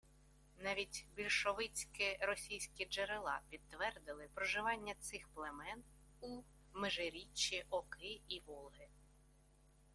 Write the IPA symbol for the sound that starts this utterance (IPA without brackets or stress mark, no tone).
n